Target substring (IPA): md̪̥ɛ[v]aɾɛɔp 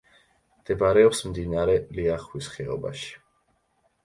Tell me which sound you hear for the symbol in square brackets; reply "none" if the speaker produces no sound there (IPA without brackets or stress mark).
b